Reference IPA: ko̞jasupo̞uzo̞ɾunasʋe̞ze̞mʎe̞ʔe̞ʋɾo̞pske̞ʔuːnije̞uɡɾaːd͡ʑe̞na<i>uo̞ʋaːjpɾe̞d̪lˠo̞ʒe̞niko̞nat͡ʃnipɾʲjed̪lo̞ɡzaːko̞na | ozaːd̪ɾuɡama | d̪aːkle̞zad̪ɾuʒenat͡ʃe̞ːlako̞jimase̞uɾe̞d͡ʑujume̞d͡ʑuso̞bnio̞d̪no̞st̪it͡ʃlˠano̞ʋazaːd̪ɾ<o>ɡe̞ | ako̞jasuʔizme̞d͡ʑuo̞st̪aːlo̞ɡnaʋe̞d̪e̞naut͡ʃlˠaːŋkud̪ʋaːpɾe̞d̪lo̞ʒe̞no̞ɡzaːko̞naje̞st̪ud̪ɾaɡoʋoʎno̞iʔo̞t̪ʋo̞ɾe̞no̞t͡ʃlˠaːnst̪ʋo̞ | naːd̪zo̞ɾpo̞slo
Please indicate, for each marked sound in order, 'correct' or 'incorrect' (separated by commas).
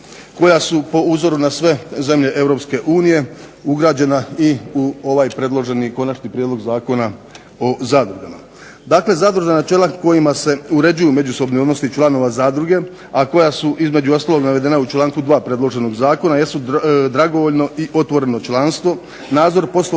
correct, incorrect